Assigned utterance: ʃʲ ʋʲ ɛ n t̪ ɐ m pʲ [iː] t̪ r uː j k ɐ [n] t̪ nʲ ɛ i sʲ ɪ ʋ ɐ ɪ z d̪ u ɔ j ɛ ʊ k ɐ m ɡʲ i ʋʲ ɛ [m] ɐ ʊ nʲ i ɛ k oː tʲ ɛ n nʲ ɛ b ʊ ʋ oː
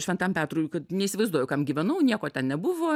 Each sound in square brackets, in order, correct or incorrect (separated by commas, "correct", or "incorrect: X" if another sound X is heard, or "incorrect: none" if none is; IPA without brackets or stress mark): incorrect: æː, incorrect: none, incorrect: n